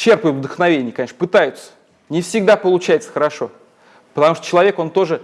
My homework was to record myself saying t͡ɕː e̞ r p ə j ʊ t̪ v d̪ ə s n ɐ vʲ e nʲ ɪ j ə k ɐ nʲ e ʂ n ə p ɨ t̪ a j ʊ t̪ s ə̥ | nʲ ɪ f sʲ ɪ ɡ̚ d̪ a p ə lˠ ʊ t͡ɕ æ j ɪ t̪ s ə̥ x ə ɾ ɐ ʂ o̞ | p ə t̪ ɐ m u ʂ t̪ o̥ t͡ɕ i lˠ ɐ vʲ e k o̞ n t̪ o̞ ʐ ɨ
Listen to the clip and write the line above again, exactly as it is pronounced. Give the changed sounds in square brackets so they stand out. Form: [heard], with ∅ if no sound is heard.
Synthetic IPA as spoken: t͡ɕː e̞ r p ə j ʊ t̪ v d̪ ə [x] n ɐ vʲ e nʲ ɪ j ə k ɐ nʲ e ʂ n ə p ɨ t̪ a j ʊ t̪ s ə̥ | nʲ ɪ f sʲ ɪ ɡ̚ d̪ a p ə lˠ ʊ t͡ɕ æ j ɪ t̪ s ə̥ x ə ɾ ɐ ʂ o̞ | p ə t̪ ɐ m u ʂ t̪ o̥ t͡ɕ [ɪ] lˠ ɐ vʲ e k o̞ n t̪ o̞ ʐ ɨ